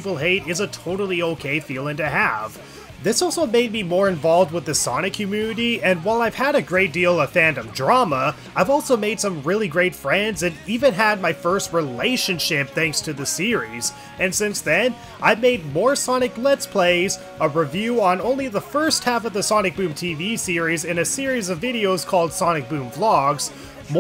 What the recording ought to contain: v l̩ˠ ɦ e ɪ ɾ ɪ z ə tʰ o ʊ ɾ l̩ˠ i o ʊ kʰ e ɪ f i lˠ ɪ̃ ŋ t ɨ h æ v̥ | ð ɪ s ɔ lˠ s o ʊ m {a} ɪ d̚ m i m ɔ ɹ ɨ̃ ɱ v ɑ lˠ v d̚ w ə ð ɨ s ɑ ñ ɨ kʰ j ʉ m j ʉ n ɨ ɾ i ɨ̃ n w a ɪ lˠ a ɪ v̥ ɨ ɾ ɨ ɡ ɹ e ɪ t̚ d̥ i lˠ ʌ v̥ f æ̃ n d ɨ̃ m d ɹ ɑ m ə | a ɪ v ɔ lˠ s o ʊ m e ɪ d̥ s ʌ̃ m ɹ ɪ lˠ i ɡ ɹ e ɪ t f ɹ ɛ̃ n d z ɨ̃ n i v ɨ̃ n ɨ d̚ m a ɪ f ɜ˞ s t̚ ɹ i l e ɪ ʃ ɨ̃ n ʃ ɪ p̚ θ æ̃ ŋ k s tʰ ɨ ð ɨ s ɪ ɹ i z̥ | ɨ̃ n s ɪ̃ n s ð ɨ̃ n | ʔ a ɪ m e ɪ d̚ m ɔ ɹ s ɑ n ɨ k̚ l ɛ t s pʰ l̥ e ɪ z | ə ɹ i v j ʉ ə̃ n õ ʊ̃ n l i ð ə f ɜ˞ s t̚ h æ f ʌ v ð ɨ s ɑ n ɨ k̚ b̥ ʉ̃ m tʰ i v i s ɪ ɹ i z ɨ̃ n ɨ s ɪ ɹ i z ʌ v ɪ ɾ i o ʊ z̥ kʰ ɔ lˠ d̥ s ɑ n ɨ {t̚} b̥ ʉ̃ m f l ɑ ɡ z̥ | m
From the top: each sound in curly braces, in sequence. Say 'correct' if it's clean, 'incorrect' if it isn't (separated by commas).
incorrect, incorrect